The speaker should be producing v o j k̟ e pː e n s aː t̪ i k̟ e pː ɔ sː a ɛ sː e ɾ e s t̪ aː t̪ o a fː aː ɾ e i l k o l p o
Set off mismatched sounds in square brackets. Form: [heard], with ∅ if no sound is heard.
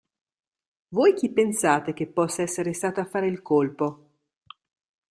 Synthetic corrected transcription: v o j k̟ [i] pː e n s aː t̪ [e] k̟ e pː ɔ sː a ɛ sː e ɾ e s t̪ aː t̪ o a fː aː ɾ e i l k o l p o